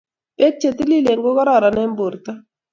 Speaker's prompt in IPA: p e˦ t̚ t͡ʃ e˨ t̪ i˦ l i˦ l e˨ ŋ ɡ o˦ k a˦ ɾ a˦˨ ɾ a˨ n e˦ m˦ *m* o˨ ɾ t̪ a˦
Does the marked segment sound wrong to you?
yes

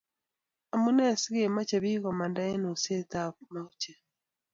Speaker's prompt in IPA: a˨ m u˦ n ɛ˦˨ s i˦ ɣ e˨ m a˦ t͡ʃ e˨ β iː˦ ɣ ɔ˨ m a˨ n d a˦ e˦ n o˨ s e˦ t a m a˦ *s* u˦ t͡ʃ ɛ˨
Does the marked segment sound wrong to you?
yes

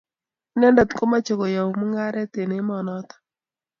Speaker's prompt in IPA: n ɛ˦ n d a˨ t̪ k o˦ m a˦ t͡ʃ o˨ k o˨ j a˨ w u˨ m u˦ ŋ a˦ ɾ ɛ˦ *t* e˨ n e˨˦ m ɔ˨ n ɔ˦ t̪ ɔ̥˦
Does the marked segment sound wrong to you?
no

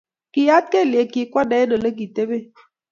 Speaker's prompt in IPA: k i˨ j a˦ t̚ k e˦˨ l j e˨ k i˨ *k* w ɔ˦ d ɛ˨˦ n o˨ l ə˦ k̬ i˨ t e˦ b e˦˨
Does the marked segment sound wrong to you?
no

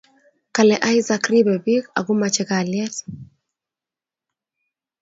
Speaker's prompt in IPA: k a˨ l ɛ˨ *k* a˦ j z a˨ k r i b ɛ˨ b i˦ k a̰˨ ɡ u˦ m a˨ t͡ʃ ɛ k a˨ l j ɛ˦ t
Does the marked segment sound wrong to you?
yes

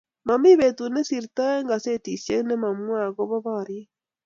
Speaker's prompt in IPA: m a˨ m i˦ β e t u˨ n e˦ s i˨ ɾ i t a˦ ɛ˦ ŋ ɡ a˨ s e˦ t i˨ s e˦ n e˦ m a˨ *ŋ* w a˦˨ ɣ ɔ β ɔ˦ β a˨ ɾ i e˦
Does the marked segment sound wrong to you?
yes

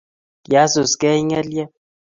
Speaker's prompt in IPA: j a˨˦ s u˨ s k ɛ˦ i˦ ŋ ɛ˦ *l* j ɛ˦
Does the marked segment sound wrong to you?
no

